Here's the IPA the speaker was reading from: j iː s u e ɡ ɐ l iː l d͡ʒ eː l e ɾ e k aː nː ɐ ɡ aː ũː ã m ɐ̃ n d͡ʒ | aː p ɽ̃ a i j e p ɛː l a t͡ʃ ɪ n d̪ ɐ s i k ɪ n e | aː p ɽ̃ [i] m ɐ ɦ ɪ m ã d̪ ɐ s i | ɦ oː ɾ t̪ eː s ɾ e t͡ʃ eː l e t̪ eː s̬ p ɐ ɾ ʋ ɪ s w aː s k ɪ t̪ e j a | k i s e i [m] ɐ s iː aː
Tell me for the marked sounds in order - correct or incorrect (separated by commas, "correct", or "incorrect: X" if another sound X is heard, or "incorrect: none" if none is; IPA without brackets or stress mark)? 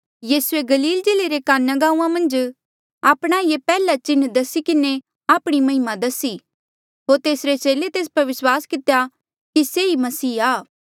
correct, correct